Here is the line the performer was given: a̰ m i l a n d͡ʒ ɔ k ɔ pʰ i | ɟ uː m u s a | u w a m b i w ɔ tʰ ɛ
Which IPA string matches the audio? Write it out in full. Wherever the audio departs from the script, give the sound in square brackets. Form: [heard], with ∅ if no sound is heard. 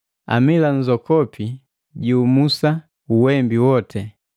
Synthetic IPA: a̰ m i l a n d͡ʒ ɔ k ɔ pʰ i | ɟ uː m u s a | u w [ɛ] m b i w ɔ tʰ ɛ